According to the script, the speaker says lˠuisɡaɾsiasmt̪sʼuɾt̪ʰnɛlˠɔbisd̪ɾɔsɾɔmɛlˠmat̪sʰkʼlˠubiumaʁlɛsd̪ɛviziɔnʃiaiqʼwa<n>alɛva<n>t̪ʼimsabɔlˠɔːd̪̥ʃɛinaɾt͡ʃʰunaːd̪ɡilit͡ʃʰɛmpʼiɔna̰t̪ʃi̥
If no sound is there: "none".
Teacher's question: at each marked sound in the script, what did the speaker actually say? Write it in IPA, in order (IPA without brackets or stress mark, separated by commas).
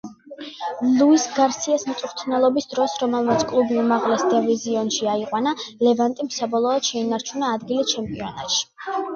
n, n